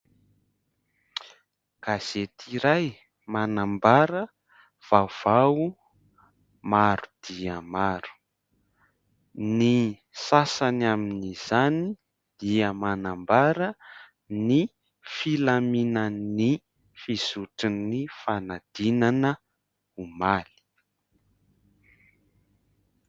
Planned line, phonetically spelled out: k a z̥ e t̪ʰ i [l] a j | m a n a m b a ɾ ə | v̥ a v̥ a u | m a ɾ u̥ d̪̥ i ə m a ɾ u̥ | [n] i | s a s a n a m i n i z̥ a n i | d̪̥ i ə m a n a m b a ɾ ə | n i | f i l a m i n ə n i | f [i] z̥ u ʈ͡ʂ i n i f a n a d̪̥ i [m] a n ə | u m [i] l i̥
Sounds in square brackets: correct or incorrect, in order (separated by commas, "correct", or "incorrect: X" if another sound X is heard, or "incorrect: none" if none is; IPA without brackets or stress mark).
incorrect: ɾ, correct, correct, incorrect: n, incorrect: a